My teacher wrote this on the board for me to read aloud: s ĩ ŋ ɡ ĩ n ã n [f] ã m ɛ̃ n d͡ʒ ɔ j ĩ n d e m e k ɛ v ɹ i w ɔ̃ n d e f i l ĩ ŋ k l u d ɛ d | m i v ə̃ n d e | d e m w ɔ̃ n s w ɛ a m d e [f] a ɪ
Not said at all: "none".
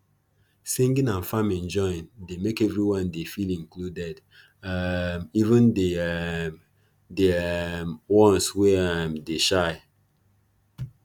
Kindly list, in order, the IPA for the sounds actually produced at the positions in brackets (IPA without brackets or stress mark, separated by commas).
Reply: f, ʃ